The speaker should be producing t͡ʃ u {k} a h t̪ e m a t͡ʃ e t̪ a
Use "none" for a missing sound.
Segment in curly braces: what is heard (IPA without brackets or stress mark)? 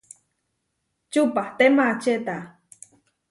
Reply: p